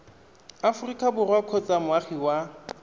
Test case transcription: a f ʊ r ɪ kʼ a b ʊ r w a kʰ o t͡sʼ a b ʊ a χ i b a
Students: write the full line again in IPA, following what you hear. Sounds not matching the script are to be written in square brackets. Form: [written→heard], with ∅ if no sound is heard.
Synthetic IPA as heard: a f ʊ r [ɪ→i] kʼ a b ʊ r w a kʰ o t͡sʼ a [b→m] ʊ a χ i [b→w] a